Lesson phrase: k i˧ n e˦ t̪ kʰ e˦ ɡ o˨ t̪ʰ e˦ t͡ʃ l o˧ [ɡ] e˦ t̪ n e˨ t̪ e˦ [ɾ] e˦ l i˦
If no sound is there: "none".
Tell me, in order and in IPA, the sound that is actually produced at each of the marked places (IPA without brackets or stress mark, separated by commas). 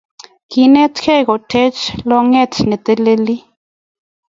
ŋ, l